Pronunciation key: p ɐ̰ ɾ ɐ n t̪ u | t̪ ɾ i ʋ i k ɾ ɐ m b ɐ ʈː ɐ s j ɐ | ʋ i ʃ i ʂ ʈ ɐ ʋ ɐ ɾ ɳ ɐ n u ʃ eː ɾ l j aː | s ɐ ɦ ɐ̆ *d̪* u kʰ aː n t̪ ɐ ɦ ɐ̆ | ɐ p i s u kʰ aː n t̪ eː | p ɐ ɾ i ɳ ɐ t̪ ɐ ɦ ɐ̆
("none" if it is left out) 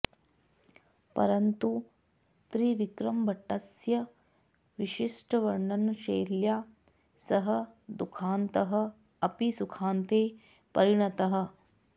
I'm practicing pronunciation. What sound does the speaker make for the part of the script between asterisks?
d̪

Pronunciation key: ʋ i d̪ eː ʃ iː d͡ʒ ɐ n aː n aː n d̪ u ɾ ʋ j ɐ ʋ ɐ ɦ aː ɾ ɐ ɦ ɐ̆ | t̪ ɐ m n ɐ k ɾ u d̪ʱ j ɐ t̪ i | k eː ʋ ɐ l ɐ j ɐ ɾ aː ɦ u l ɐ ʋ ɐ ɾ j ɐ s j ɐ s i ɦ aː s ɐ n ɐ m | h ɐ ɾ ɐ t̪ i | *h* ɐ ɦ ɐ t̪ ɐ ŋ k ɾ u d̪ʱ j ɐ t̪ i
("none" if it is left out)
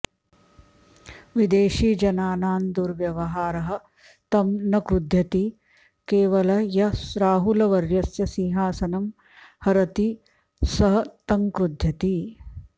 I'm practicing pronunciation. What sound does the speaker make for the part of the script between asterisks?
s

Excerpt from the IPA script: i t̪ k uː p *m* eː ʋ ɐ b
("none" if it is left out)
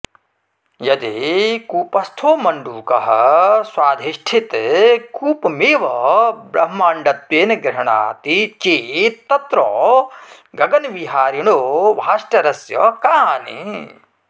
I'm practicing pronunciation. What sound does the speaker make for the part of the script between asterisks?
m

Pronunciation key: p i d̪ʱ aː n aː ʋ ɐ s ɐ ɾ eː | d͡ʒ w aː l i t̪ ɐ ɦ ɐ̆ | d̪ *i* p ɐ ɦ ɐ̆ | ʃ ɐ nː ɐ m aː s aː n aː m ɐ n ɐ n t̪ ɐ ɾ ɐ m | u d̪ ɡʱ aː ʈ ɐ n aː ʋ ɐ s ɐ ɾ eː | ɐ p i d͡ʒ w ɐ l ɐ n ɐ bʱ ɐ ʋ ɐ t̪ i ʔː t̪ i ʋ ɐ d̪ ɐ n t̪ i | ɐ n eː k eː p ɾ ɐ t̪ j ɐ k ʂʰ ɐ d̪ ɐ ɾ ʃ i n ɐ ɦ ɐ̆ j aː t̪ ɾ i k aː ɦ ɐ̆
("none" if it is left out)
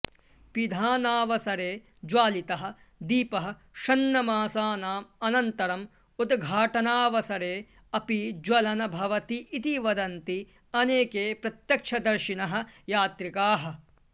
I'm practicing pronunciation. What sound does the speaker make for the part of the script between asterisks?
iː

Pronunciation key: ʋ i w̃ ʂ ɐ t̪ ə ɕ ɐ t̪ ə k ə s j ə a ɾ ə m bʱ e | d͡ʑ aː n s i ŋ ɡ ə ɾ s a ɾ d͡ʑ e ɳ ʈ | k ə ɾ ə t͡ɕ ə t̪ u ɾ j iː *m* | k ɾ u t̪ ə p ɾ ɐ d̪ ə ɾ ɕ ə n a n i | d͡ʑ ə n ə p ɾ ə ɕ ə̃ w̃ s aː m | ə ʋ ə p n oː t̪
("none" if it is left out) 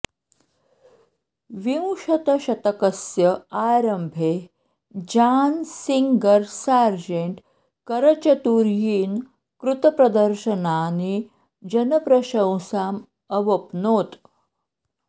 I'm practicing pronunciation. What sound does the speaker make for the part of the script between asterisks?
n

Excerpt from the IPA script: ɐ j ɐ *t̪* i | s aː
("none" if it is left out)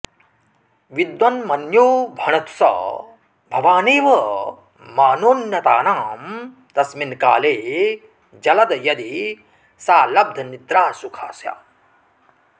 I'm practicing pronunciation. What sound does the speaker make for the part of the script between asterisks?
d̪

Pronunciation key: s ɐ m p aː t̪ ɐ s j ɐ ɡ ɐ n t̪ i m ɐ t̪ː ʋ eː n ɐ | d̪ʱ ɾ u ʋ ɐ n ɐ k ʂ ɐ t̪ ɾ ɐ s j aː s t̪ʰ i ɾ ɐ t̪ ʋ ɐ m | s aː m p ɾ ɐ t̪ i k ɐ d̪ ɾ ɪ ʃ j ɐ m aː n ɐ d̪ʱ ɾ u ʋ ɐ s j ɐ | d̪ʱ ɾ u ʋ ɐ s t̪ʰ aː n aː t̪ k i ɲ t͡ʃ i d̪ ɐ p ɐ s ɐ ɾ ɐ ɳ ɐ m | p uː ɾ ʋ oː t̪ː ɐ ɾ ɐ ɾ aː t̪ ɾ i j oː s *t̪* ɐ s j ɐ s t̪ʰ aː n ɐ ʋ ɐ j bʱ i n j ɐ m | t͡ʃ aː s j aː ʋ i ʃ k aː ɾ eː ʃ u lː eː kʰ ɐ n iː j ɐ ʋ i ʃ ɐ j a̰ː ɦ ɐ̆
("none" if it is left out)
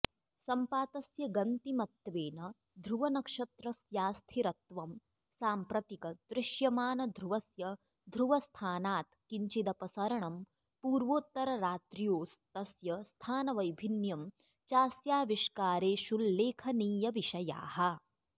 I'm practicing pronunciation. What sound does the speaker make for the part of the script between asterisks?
t̪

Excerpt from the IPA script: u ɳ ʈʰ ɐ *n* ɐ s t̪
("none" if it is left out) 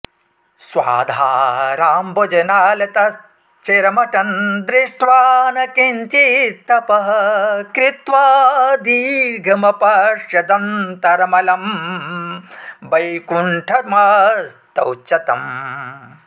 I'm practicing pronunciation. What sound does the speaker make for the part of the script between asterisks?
m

